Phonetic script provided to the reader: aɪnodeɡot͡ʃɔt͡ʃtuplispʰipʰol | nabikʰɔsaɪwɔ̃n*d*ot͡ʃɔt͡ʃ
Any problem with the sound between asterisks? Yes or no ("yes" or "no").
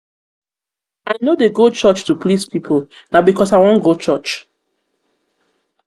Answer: yes